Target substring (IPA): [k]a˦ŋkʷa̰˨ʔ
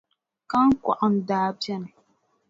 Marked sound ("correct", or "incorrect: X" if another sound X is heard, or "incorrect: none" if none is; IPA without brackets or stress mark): correct